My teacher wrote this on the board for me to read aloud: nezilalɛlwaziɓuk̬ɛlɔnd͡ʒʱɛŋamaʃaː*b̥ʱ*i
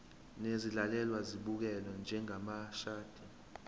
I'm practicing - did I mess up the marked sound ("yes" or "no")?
yes